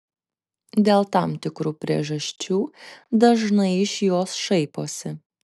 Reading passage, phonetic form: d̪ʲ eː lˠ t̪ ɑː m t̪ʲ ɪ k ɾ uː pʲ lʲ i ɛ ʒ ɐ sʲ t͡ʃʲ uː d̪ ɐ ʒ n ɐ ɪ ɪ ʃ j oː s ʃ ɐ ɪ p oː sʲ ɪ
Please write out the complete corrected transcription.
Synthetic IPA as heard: d̪ʲ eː lˠ t̪ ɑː m t̪ʲ ɪ k ɾ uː pʲ ɾʲ i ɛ ʒ ɐ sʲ t͡ʃʲ uː d̪ ɐ ʒ n ɐ ɪ ɪ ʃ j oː s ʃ ɐ ɪ p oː sʲ ɪ